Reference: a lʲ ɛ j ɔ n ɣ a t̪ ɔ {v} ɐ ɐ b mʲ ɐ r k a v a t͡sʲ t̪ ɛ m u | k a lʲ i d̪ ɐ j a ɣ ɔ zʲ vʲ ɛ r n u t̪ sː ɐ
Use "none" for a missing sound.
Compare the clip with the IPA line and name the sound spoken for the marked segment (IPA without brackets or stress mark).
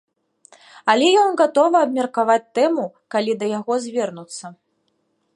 v